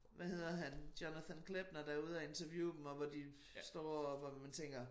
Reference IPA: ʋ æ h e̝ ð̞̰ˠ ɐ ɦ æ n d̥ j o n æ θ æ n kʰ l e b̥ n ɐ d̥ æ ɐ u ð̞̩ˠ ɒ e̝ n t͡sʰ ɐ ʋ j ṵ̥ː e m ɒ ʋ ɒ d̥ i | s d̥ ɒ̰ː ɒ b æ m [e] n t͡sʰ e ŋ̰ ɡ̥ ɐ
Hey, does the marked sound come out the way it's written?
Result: no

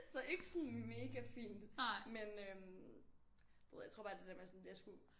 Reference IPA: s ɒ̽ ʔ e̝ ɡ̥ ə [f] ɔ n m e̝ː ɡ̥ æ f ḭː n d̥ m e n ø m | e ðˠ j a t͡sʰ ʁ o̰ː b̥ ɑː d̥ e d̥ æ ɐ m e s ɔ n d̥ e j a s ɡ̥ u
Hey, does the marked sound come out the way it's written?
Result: no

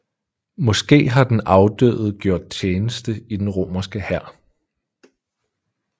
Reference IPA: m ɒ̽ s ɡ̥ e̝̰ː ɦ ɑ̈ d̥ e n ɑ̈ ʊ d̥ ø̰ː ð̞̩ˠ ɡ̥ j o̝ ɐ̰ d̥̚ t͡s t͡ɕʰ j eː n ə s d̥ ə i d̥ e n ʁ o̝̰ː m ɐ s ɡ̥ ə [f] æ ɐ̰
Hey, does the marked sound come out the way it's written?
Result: no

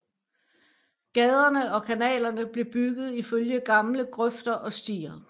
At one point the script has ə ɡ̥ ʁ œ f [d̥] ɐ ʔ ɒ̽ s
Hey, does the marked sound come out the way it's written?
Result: yes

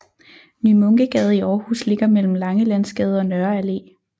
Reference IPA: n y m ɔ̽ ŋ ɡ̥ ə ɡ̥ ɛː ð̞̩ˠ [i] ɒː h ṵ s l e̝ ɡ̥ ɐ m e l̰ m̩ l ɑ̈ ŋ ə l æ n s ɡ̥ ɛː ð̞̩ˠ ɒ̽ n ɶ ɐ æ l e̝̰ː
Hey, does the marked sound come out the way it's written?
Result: yes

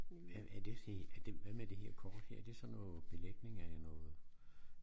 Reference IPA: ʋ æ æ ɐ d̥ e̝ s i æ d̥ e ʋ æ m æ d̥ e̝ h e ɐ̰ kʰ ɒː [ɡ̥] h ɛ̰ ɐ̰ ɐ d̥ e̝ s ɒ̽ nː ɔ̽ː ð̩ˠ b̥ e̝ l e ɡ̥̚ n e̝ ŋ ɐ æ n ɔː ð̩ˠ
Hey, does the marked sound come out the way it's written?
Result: no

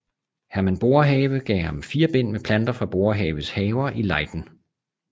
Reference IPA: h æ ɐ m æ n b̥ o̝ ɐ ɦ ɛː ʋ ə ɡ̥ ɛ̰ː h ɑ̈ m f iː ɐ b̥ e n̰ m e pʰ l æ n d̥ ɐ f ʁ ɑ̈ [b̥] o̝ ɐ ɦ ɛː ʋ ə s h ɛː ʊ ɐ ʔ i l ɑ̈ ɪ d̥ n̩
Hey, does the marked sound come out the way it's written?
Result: yes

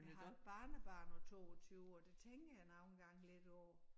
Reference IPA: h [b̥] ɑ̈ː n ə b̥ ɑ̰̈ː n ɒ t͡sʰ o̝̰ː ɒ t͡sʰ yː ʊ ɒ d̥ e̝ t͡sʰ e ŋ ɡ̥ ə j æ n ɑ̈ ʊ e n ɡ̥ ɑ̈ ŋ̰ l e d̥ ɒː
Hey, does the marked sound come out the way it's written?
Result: yes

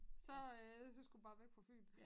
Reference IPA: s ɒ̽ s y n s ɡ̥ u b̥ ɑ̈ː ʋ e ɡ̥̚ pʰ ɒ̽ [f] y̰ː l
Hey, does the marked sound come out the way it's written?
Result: yes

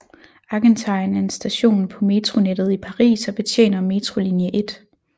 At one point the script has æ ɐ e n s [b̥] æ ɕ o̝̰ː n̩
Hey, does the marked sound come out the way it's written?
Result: no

